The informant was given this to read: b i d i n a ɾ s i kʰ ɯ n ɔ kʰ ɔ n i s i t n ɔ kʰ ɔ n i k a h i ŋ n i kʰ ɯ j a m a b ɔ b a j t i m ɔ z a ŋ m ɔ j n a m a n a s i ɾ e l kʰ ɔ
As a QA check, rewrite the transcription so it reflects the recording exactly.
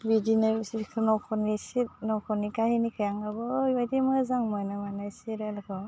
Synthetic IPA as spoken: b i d i n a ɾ s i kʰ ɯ n ɔ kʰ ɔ n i s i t n ɔ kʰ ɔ n i k a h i n i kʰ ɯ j a ŋ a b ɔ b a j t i m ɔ z a ŋ m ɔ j n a m a n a s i ɾ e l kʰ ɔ